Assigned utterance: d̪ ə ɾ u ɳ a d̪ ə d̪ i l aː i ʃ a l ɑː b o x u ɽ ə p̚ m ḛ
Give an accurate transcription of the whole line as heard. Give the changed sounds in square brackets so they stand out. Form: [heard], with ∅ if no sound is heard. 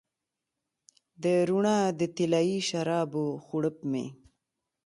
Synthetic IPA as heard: d̪ ə ɾ u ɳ a d̪ ə [t̪] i l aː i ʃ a [ɾ] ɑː b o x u ɽ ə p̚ m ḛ